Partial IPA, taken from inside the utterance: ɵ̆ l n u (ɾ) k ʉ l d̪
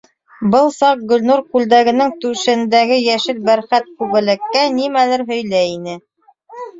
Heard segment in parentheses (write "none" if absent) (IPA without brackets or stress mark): ɾ